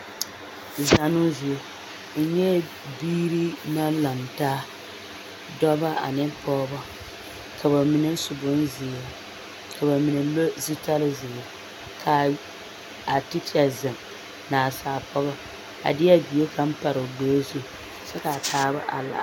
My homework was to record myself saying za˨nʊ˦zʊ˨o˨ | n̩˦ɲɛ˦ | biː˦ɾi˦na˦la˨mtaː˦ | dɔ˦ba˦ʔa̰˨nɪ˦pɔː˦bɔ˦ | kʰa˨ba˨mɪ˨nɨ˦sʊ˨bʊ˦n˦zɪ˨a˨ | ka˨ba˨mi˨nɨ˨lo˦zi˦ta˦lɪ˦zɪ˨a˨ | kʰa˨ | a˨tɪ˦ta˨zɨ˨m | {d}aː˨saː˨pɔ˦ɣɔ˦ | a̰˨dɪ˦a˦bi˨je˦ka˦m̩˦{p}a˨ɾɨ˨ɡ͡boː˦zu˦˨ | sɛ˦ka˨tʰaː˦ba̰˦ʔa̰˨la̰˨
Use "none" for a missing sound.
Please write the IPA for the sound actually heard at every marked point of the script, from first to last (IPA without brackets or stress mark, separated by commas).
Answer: n, p